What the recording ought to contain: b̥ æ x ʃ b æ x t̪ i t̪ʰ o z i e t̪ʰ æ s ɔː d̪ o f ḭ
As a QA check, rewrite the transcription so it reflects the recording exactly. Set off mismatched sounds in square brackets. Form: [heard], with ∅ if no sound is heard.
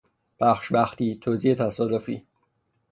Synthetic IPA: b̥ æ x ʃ b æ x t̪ i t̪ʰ o z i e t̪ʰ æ s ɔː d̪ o f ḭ